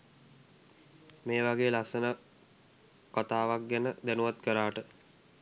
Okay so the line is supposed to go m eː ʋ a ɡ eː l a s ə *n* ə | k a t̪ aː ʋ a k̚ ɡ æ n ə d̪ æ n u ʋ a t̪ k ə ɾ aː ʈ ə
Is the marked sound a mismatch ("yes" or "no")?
no